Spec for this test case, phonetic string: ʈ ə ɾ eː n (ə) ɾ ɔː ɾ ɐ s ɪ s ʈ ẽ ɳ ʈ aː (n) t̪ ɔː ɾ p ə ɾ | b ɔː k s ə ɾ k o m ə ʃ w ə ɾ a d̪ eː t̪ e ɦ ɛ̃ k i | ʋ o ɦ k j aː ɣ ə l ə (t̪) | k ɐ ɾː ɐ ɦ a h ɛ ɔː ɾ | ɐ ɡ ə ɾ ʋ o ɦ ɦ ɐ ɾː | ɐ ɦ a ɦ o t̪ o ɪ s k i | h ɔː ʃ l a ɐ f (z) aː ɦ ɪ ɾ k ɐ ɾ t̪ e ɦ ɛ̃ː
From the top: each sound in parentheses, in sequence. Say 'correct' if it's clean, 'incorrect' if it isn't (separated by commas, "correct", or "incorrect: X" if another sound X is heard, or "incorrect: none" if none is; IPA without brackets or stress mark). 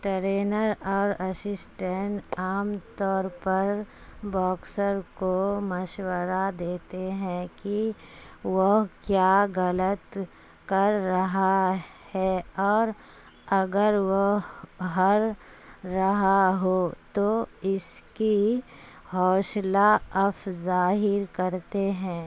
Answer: correct, incorrect: m, correct, correct